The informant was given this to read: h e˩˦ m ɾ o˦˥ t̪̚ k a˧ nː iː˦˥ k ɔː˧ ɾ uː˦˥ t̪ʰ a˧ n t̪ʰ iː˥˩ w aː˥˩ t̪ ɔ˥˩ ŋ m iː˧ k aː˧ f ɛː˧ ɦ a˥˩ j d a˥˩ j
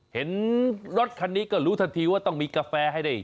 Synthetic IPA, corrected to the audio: h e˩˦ n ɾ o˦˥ t̪̚ kʰ a˧ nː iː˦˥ k ɔː˥˩ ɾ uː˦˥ t̪ʰ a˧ n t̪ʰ iː˧ w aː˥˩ t̪ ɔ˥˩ ŋ m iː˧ k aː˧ f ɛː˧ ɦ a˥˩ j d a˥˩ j